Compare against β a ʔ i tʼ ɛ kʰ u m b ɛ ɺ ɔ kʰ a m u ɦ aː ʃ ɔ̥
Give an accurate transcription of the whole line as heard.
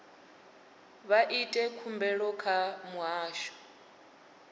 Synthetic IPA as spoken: β a ʔ i tʼ ɛ kʰ u m b ɛ ɺ ɔ kʰ a m u ɦ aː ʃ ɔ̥

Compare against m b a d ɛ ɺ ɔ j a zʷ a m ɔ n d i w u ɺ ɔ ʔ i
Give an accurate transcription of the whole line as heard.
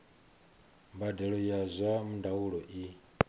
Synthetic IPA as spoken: m b a d ɛ ɺ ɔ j a zʷ a m u n d a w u ɺ ɔ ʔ i

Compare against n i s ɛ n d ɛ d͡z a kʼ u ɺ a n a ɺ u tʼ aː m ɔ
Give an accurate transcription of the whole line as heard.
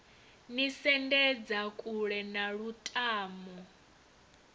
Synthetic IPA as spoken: n i s ɛ n d ɛ d͡z a kʼ u ɺ ɛ n a ɺ u tʼ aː m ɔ

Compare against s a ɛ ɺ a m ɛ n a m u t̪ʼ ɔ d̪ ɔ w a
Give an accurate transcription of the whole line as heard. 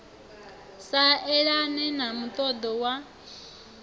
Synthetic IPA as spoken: s a ɛ ɺ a n ɛ n a m u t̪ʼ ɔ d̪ ɔ w a

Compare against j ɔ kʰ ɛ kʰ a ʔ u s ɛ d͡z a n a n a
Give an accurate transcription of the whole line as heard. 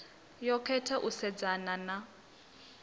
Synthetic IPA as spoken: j ɔ kʰ ɛ tʰ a ʔ u s ɛ d͡z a n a n a

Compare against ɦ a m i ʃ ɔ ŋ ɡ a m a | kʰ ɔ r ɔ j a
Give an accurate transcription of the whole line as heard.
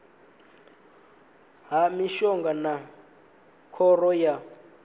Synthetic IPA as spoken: ɦ a m i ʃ ɔ ŋ ɡ a n a | kʰ ɔ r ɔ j a

